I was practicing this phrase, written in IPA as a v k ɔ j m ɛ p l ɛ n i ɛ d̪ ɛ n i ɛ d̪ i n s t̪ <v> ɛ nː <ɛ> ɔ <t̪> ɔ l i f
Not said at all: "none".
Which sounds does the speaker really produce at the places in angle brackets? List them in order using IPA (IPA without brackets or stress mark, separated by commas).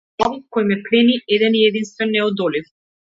v, ɛ, d̪